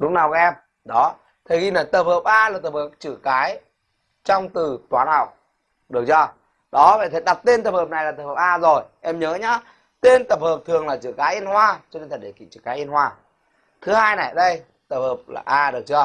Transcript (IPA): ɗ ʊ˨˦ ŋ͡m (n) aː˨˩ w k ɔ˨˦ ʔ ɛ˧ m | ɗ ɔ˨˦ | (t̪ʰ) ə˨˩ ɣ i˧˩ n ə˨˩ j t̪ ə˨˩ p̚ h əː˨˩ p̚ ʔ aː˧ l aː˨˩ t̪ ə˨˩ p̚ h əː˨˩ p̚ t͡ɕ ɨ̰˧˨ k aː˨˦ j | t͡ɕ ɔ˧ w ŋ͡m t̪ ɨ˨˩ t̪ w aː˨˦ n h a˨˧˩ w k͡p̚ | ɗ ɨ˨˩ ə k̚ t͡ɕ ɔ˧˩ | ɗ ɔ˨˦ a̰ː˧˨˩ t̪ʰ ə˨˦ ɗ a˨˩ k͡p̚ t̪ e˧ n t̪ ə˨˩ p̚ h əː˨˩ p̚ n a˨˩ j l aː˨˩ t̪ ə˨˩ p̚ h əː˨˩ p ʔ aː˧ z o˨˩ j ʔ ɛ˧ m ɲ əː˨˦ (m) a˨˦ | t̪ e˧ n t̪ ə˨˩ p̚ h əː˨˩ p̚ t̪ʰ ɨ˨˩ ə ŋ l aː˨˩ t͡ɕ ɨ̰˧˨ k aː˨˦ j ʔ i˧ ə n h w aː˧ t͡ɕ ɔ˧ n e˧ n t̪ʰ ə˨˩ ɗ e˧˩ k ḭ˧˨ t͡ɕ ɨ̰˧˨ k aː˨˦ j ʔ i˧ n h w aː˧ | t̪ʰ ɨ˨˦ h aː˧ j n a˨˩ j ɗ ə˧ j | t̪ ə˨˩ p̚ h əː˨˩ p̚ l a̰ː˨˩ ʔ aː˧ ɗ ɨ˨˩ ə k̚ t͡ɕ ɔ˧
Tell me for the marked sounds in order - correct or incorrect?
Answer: correct, correct, incorrect

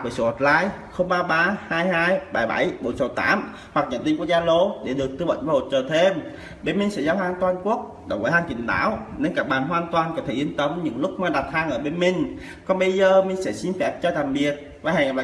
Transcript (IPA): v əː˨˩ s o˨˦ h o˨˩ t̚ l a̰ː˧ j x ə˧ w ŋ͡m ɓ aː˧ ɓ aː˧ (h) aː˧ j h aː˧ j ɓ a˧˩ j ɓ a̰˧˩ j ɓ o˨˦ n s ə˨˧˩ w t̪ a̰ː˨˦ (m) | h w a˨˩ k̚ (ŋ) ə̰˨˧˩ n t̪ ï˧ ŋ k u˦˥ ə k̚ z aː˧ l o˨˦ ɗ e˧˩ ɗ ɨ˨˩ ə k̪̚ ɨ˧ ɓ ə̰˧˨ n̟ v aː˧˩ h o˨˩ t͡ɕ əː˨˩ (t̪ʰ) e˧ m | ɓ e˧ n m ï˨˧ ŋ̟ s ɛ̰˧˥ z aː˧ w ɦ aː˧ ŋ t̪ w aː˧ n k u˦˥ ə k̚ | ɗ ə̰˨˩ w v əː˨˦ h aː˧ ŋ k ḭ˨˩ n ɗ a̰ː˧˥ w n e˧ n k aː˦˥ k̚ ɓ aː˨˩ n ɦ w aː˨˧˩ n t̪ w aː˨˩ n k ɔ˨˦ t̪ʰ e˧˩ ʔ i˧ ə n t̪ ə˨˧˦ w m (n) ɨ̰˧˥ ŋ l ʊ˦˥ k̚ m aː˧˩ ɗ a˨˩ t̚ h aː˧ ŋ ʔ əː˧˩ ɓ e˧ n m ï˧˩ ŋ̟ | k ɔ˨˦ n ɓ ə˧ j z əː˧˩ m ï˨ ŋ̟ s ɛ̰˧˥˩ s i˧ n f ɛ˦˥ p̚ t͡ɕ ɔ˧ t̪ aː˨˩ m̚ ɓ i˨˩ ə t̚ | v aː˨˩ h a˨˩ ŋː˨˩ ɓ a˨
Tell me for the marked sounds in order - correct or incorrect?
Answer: correct, correct, incorrect, correct, incorrect

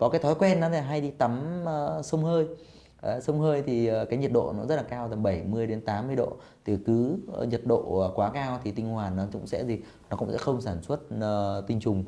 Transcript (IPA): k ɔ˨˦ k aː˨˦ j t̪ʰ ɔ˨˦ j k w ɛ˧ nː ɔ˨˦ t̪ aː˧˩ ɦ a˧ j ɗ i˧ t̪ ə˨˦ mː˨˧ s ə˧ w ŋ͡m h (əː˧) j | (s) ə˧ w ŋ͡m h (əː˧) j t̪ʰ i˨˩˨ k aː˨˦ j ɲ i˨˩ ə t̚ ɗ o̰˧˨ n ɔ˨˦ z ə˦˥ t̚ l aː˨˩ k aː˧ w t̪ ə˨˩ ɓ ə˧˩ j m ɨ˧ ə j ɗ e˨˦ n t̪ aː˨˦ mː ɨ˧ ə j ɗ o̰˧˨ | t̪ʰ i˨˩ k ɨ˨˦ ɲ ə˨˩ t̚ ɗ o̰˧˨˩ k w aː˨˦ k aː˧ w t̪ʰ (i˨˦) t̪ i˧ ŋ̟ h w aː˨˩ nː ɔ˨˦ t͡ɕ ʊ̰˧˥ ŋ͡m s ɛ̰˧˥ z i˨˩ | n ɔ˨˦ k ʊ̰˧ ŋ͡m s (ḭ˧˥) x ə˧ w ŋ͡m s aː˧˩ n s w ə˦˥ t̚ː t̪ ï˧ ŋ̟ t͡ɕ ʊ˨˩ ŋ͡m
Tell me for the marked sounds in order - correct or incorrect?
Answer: correct, correct, correct, incorrect, incorrect

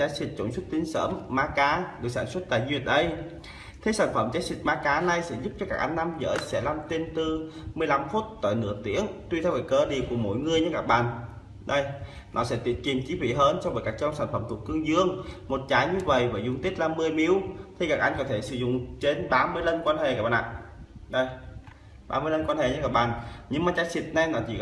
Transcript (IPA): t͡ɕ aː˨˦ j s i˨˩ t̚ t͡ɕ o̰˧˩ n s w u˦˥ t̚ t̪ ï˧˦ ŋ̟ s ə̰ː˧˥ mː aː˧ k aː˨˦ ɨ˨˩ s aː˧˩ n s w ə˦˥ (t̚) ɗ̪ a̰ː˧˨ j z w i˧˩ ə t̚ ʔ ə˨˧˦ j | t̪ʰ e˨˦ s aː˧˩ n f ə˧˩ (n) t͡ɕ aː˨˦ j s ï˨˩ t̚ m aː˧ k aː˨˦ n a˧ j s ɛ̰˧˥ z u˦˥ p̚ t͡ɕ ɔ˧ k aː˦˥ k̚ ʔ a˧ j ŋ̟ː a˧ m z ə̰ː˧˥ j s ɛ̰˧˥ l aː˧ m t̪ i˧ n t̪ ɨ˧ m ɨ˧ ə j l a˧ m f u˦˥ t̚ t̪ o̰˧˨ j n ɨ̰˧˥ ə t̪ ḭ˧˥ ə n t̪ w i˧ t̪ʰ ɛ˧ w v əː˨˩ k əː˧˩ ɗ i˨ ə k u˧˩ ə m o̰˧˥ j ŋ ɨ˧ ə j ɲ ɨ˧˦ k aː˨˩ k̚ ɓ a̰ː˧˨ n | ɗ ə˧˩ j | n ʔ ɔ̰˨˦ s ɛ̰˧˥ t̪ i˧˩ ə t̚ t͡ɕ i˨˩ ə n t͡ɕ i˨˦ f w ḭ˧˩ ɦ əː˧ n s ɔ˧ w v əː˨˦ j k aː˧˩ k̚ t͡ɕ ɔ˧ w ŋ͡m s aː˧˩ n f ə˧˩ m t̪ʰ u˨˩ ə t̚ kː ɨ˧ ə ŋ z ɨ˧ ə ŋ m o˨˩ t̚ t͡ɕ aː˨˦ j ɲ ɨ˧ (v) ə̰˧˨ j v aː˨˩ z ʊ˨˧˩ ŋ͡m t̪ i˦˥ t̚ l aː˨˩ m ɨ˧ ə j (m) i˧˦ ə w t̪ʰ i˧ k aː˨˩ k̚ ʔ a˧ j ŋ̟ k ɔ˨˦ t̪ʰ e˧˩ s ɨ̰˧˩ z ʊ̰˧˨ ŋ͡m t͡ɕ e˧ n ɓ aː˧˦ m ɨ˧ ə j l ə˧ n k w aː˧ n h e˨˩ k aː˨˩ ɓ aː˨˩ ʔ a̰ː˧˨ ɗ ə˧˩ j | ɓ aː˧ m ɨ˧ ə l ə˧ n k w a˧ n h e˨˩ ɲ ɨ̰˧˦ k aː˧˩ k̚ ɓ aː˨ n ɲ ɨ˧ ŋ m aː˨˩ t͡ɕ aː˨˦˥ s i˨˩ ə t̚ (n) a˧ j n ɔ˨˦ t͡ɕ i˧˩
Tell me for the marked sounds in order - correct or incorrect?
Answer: correct, incorrect, correct, correct, correct

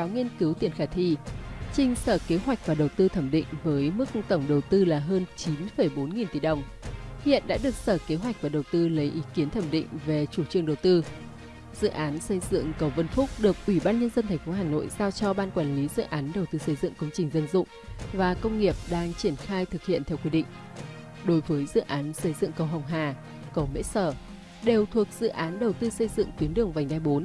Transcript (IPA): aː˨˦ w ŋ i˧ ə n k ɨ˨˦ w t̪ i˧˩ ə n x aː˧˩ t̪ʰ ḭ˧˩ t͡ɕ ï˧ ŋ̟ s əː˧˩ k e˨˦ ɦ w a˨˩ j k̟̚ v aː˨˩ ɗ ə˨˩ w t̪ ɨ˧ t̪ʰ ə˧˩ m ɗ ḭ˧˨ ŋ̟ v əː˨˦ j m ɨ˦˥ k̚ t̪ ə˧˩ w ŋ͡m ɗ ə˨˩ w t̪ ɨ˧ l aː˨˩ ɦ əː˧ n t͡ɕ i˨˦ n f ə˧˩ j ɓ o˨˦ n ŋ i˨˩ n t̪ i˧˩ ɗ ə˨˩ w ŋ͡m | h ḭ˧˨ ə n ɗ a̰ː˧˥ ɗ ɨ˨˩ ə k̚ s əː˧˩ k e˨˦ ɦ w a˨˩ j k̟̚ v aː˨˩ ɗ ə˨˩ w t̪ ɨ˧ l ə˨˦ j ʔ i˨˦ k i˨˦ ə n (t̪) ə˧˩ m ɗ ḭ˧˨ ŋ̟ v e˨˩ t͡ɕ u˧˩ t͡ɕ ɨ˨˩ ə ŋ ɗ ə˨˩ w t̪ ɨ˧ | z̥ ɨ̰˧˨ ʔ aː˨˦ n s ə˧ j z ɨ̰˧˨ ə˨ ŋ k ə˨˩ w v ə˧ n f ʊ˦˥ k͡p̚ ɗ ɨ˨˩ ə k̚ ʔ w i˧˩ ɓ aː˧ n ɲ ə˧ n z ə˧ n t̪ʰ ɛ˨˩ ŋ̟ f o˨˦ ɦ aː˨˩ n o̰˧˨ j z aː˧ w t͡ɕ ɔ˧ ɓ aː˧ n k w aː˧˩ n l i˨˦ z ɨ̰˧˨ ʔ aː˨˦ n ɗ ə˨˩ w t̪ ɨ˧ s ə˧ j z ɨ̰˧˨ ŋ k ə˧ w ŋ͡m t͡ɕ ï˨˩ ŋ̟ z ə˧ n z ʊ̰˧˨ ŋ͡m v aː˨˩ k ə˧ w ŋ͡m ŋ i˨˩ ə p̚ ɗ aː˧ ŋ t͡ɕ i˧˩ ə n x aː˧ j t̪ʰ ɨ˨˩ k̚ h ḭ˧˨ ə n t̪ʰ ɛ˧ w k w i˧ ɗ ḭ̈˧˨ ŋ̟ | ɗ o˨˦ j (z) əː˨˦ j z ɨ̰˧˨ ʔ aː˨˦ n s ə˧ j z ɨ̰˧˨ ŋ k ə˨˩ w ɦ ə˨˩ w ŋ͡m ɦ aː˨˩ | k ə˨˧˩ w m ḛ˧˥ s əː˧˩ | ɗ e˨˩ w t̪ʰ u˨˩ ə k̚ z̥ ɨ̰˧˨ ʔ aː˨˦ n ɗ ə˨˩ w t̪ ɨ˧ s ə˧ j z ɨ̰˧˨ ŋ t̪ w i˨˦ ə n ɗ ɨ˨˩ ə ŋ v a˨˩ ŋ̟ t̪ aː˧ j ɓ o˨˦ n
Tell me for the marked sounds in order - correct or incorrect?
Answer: incorrect, incorrect

